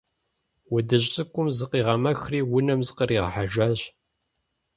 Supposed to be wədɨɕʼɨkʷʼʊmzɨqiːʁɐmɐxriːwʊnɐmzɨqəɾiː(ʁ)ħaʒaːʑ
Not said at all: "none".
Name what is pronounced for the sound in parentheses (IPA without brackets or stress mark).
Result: ʁ